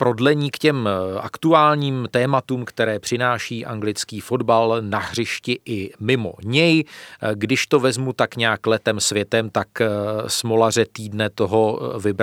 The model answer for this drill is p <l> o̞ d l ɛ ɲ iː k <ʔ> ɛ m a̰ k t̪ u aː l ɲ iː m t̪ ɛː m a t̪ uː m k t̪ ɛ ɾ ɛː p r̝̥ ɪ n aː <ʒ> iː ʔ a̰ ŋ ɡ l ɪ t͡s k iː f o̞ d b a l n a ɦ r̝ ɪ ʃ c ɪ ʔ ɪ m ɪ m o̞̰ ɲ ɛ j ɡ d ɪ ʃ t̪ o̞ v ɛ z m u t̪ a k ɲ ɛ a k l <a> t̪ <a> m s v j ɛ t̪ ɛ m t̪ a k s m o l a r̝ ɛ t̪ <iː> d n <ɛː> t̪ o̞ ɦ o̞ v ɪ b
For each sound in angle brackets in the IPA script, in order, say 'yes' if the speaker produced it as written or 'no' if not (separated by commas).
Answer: no, no, no, no, no, yes, no